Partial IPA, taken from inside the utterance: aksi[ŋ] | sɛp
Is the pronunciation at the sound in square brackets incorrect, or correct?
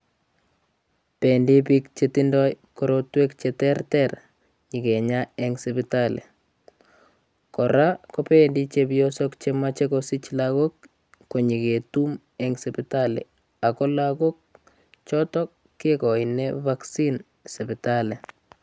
incorrect